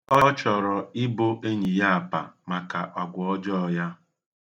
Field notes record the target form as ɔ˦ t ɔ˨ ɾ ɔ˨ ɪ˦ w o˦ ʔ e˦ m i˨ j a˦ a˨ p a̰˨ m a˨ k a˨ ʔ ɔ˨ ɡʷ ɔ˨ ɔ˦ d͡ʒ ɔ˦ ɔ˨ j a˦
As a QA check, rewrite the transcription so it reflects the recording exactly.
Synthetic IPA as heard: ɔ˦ t͡ʃ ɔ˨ ɾ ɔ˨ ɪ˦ b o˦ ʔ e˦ ɲ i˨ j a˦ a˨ p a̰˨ m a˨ k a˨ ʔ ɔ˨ ɡʷ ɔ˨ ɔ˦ d͡ʒ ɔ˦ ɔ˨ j a˦